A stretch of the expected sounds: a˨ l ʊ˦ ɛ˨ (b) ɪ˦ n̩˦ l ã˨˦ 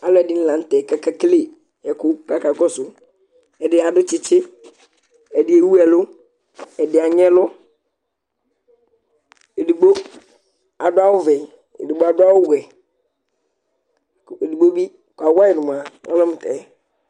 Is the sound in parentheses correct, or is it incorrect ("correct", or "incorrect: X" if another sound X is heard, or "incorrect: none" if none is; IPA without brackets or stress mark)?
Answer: incorrect: d